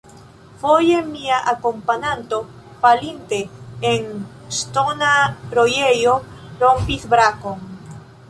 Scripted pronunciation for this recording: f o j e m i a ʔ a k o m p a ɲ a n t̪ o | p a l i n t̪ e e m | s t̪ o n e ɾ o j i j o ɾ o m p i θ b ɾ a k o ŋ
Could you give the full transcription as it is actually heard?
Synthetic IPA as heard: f o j e m i a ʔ a k o m p a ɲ a n t̪ o | p a l i n t̪ e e ŋ | s t̪ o n a ɾ o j e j o ɾ o m p i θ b ɾ a k o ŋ